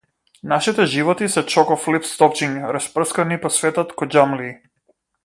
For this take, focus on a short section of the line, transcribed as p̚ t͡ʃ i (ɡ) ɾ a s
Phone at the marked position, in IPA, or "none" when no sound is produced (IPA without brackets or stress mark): ŋ